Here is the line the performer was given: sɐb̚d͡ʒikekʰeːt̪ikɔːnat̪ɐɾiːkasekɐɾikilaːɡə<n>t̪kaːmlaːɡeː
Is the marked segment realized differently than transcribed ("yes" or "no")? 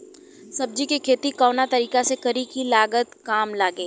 yes